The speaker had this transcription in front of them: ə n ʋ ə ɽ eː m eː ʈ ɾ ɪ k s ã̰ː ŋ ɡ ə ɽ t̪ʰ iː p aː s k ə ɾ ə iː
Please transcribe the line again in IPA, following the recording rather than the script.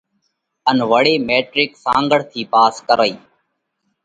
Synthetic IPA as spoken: ə n ʋ ə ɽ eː m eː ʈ ɾ ɪ k s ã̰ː ŋ ɡ ə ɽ t̪ʰ iː p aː s k ə ɾ ə iː